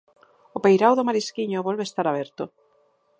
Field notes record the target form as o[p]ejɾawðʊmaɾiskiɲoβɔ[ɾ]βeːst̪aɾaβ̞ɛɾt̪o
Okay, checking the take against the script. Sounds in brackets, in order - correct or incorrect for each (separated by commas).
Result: correct, incorrect